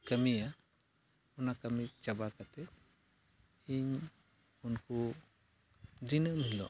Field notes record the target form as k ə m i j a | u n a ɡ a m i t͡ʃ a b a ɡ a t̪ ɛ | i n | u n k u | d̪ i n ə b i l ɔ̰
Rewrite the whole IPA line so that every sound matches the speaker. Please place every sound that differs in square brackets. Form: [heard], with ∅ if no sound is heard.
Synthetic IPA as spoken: k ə m i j a | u n a [k] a m i t͡ʃ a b a [k] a t̪ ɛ | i [ɲ] | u n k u | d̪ i n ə [m] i l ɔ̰